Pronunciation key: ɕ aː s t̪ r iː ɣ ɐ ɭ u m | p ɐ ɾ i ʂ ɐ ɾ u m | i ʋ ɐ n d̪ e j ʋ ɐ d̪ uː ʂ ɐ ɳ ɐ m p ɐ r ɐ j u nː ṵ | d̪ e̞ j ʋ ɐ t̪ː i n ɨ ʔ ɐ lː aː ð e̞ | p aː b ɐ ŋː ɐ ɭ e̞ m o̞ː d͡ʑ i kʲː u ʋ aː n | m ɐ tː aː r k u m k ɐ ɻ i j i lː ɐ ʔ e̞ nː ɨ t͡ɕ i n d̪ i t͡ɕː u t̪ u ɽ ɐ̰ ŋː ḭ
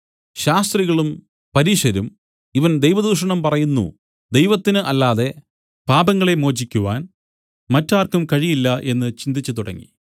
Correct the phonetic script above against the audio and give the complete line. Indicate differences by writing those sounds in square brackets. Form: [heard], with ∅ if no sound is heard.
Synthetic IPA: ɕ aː s t̪ r [i] ɣ ɐ ɭ u m | p ɐ ɾ i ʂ ɐ ɾ u m | i ʋ ɐ n d̪ e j ʋ ɐ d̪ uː ʂ ɐ ɳ ɐ m p ɐ r ɐ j u nː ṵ | d̪ e̞ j ʋ ɐ t̪ː i n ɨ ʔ ɐ lː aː ð e̞ | p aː b ɐ ŋː ɐ ɭ e̞ m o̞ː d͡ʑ i kʲː u ʋ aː n | m ɐ tː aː r k u m k ɐ ɻ i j i lː ɐ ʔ e̞ nː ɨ t͡ɕ i n d̪ i t͡ɕː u t̪ u ɽ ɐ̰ ŋː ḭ